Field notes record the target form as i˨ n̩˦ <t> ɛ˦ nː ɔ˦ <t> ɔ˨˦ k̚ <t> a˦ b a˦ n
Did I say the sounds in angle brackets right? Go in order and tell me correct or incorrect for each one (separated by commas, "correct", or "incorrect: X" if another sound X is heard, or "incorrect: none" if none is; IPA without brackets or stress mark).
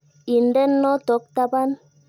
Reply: incorrect: d, correct, correct